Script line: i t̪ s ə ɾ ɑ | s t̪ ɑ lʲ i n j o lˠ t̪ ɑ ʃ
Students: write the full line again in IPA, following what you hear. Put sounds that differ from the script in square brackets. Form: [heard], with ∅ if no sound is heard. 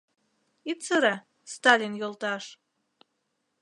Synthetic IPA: i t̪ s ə ɾ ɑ | s t̪ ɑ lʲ i n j o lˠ t̪ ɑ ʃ